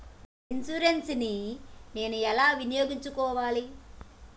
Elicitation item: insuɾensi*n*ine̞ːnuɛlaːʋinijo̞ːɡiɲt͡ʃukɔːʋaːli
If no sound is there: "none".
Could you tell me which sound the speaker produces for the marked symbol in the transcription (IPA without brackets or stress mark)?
n